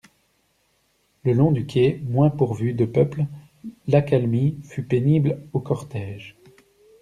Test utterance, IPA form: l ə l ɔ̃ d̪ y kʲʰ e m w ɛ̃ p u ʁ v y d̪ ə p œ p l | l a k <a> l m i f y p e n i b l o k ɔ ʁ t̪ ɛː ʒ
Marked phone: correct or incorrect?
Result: correct